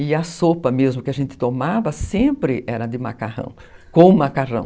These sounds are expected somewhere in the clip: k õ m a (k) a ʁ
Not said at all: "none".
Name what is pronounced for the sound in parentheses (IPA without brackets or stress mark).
k